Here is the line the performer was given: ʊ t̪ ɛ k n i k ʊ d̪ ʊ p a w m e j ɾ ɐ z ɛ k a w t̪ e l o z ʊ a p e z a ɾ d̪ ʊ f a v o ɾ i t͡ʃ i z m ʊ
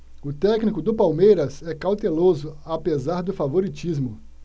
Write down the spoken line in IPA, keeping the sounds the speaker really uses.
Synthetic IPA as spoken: ʊ t̪ ɛ k n i k ʊ d̪ ʊ p a w m e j ɾ ɐ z ɛ k a w t̪ e l o z ʊ a p e z a ɾ d̪ ʊ f a v o ɾ i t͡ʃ i z m ʊ